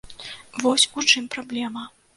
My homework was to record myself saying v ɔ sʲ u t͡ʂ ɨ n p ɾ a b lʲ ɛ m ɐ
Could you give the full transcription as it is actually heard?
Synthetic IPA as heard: v ɔ sʲ u t͡ʂ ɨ m p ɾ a b lʲ ɛ m ɐ